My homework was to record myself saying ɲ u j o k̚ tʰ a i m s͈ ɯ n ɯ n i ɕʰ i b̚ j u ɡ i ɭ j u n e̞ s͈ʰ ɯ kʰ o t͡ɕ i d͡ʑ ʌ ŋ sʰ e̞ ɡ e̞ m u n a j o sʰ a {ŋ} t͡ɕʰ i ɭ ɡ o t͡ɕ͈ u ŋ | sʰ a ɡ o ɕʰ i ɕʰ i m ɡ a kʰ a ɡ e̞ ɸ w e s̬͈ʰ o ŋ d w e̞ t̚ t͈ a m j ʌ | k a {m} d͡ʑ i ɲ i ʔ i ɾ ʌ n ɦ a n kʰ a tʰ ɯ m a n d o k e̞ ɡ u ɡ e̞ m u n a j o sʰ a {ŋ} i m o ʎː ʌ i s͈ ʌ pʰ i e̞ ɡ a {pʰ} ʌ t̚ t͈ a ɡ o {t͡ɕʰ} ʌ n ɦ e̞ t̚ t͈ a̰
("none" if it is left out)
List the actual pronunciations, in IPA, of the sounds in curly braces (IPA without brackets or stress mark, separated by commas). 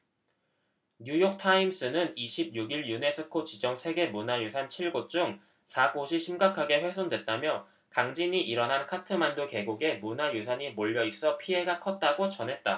n, ŋ, ɲ, kʰ, t͡ɕ